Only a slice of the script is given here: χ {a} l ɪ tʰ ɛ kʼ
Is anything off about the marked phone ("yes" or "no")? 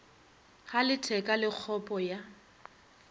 no